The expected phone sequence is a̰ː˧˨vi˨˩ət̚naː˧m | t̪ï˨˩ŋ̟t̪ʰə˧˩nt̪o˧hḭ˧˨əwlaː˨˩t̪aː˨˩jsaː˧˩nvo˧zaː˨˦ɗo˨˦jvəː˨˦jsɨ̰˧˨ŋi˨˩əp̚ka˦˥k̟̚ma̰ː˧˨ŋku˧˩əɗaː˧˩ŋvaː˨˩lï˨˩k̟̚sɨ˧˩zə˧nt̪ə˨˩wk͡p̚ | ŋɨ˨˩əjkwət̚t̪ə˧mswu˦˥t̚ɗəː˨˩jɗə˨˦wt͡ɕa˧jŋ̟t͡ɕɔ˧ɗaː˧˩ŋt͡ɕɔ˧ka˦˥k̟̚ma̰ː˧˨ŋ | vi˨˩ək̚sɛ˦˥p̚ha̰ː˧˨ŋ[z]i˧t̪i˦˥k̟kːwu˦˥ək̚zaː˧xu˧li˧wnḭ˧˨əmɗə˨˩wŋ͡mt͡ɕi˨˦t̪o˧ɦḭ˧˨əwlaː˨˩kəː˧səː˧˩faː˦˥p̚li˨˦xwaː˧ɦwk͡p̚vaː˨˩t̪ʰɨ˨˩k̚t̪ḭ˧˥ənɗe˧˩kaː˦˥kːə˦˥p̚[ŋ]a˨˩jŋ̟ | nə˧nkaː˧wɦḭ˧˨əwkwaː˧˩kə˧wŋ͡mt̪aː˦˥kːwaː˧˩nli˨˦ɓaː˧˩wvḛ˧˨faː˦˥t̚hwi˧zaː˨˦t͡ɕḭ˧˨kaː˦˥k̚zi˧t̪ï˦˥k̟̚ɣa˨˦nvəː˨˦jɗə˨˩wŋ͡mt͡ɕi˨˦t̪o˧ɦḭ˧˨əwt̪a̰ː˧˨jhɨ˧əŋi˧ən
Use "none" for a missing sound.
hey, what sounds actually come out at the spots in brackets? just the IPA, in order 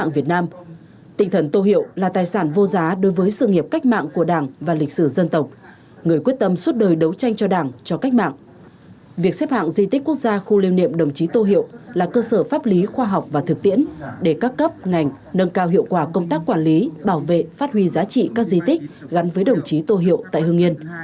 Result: z, ŋ

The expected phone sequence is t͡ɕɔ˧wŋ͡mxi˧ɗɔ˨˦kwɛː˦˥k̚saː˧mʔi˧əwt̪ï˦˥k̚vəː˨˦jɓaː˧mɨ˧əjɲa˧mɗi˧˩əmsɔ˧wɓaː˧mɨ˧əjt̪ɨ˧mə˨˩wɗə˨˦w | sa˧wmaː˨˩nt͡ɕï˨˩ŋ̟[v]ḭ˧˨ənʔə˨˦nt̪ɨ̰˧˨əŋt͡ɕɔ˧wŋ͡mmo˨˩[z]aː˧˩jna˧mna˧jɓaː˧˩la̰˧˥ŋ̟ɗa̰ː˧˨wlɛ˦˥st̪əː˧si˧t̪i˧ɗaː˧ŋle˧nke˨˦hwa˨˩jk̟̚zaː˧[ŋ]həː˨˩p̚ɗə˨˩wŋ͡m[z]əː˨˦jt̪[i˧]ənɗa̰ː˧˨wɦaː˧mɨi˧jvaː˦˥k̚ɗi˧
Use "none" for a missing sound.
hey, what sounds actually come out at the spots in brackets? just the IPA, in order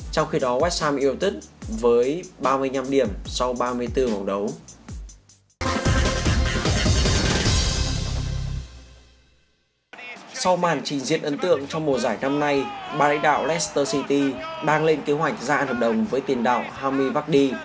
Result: z, z, n, v, i˨˩

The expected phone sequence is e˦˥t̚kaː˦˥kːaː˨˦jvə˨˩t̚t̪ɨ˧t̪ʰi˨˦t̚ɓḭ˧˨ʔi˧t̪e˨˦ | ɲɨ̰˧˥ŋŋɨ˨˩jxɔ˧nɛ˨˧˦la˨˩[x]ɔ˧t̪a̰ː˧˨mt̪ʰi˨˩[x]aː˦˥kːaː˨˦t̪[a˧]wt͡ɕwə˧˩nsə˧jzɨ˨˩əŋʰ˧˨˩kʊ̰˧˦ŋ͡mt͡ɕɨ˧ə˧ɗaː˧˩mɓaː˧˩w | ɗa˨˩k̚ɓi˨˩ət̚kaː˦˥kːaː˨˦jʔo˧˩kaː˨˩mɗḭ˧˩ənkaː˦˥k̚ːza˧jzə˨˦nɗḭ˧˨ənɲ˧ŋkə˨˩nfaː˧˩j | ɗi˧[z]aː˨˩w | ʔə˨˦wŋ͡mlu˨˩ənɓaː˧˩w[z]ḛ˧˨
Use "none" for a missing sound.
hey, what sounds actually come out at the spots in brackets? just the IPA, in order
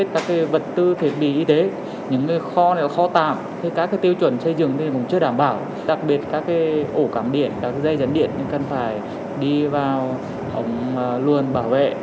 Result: x, k, i˧, v, v

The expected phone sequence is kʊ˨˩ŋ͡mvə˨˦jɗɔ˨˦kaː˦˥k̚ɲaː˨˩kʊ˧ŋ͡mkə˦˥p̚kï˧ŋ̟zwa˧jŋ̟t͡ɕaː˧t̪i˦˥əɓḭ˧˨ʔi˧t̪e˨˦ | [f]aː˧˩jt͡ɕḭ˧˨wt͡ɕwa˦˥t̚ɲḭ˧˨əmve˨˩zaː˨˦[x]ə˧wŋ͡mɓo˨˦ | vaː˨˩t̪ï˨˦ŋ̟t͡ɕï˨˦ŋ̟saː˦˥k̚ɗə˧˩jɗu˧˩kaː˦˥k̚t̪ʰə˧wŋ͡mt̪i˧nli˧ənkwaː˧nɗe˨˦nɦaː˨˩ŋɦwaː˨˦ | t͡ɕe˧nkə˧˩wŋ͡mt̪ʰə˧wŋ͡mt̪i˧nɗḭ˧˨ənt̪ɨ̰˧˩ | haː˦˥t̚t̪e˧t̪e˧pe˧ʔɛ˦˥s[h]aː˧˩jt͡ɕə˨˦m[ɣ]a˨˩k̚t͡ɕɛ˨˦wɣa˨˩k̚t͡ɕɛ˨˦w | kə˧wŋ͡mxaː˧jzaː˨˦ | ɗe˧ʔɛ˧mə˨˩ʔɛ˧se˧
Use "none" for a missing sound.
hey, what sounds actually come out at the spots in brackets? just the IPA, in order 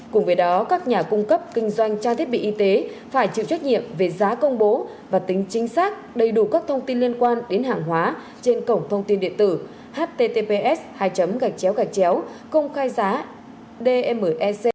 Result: f, k, h, ɣ

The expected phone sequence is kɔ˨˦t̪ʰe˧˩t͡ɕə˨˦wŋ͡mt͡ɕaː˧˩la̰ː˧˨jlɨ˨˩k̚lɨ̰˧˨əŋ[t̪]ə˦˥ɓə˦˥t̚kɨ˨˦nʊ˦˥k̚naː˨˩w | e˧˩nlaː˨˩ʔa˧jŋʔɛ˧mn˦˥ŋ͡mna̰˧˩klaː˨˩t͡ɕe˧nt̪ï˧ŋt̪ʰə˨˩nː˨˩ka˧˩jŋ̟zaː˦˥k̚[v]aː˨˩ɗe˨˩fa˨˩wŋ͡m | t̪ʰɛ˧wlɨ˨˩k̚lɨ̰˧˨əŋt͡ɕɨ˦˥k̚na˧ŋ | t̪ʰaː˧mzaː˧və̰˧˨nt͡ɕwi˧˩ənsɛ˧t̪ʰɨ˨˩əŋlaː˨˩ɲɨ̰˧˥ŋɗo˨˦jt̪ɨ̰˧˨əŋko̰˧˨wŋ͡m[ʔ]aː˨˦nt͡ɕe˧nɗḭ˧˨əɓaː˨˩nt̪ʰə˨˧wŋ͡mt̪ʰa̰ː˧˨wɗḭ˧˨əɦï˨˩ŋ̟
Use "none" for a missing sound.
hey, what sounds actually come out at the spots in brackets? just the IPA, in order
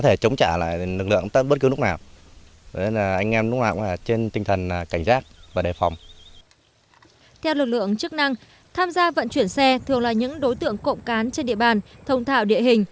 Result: t̪, v, k

